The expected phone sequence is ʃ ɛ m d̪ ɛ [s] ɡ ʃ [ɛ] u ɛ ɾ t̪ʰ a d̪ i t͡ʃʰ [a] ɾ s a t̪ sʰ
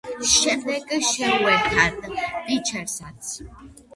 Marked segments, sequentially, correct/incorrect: incorrect, correct, incorrect

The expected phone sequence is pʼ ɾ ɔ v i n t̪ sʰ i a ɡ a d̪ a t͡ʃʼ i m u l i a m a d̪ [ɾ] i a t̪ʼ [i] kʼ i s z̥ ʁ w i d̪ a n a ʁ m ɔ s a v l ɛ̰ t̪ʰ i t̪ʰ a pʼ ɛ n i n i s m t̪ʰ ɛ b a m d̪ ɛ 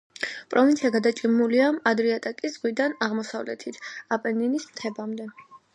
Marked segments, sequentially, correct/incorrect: correct, incorrect

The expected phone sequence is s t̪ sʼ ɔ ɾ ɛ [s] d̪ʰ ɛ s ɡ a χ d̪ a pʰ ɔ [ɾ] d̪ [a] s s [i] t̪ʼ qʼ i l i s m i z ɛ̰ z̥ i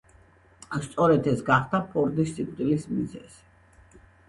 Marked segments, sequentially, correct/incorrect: incorrect, correct, incorrect, correct

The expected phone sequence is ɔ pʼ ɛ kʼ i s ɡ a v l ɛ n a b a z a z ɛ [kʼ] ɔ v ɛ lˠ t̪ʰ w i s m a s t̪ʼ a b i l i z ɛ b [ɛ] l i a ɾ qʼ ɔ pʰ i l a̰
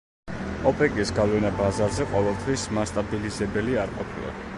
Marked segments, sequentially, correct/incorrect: incorrect, correct

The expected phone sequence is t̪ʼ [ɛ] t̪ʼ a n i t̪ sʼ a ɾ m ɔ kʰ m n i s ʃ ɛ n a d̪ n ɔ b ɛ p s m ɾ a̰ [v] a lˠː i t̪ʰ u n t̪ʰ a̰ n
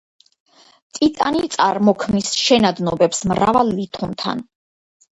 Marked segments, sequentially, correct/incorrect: incorrect, correct

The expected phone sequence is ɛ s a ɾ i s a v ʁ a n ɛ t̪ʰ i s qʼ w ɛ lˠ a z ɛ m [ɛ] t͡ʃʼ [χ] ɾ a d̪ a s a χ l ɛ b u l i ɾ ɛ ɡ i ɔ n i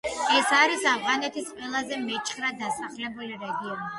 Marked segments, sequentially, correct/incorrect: correct, correct

